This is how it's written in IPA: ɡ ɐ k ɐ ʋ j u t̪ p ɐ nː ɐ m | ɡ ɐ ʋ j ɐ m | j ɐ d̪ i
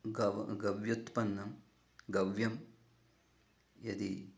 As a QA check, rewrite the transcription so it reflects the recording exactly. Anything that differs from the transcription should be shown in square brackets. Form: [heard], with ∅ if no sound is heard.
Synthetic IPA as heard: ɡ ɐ [ɡ] ɐ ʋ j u t̪ p ɐ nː ɐ m | ɡ ɐ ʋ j ɐ m | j ɐ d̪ i